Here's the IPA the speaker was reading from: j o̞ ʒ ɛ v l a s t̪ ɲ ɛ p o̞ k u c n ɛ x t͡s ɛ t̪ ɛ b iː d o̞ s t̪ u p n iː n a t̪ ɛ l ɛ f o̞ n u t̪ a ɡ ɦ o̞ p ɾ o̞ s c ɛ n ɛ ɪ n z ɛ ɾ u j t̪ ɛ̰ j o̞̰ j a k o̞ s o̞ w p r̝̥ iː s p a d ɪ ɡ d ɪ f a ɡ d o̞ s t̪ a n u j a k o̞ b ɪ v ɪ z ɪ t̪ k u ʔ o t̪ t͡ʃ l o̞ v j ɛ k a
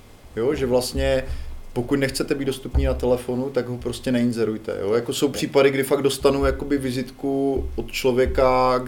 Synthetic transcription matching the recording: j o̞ ʒ ɛ v l a s t̪ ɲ ɛ p o̞ k u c n ɛ x t͡s ɛ t̪ ɛ b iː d o̞ s t̪ u p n iː n a t̪ ɛ l ɛ f o̞ n u t̪ a ɡ ɦ o̞ p ɾ o̞ s c ɛ n ɛ ɪ n z ɛ ɾ u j t̪ ɛ̰ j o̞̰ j a k o̞ s o̞ w p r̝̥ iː p a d ɪ ɡ d ɪ f a ɡ d o̞ s t̪ a n u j a k o̞ b ɪ v ɪ z ɪ t̪ k u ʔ o t̪ t͡ʃ l o̞ v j ɛ k a